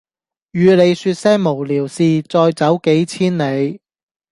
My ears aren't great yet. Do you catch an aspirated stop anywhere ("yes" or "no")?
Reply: yes